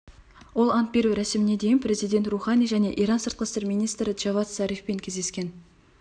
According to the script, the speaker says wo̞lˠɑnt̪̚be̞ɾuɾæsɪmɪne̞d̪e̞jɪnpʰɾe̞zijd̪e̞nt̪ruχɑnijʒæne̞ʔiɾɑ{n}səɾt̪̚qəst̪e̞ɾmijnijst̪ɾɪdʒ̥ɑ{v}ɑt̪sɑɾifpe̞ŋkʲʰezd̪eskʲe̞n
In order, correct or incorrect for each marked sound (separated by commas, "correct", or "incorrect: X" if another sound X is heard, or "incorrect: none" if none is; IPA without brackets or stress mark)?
correct, correct